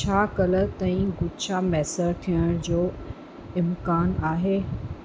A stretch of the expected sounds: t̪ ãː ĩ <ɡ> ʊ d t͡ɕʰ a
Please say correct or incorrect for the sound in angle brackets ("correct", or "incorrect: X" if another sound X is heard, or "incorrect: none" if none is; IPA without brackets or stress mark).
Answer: correct